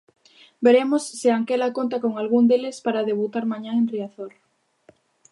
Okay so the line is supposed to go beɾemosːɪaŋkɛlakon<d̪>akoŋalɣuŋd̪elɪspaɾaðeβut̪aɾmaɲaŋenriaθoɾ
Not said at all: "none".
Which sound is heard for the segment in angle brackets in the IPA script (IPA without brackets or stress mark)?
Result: t̪